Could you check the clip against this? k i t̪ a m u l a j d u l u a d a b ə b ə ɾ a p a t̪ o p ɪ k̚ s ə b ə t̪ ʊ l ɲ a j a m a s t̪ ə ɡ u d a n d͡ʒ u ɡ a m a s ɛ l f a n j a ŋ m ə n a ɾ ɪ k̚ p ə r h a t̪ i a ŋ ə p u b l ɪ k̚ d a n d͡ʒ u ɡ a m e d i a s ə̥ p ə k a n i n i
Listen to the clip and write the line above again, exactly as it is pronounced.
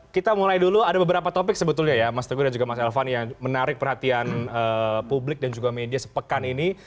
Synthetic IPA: k i t̪ a m u l a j d u l u a d a b ə b ə ɾ a p a t̪ o p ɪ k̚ s ə b ə t̪ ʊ l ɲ a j a m a s t̪ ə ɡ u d a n d͡ʒ u ɡ a m a s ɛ l f a n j a ŋ m ə n a ɾ ɪ k̚ p ə r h a t̪ i a n ə p u b l ɪ k̚ d a n d͡ʒ u ɡ a m e d i a s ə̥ p ə k a n i n i